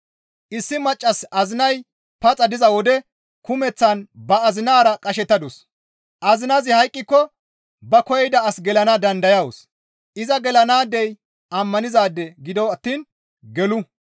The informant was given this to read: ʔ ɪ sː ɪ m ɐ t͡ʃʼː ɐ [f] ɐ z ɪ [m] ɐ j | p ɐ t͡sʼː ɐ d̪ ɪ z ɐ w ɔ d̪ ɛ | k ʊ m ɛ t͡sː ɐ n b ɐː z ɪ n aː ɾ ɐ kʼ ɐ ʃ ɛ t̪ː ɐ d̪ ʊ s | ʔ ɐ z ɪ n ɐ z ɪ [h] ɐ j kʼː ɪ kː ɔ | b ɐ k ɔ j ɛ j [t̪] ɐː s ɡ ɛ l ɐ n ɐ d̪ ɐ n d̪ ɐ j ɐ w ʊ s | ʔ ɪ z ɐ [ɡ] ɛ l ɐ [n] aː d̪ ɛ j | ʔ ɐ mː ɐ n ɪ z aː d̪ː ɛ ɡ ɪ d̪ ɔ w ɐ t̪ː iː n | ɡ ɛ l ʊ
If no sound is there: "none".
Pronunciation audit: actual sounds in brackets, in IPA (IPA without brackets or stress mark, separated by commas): s, n, h, d̪, ɡ, n